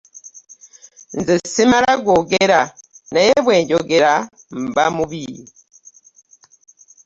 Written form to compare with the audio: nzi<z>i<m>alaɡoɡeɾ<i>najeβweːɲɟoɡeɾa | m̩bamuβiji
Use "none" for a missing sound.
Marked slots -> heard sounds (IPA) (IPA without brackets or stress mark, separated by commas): s, m, a